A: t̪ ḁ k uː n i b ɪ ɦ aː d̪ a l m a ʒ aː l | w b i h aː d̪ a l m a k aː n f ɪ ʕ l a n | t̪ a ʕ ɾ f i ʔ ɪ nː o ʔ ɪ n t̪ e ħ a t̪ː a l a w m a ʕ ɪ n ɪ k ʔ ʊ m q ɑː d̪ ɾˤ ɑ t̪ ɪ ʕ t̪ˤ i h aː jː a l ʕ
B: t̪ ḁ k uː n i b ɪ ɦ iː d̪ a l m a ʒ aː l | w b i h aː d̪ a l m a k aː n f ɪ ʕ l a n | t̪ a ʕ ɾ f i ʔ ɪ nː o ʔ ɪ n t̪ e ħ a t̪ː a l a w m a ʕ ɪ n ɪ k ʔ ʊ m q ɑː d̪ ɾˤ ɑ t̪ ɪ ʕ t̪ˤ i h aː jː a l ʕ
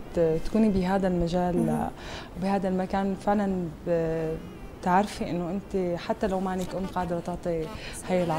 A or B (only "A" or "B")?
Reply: A